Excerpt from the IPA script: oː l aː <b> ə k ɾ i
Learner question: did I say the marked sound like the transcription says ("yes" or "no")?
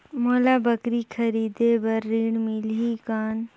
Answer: yes